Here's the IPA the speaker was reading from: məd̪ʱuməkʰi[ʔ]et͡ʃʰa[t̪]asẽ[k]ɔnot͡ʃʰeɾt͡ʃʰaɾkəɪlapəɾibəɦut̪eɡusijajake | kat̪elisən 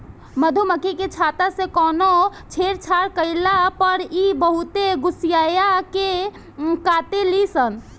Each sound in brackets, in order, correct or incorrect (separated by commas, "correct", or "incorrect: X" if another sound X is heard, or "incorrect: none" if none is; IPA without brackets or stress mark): incorrect: k, correct, correct